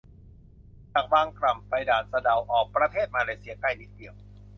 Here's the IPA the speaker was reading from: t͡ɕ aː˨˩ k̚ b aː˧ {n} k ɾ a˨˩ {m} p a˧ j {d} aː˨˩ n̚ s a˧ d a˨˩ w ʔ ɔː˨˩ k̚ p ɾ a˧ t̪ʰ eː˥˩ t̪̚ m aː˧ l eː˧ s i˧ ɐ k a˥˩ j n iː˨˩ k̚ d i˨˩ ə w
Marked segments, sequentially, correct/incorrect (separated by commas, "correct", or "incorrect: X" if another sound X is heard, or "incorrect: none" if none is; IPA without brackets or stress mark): incorrect: ŋ, correct, correct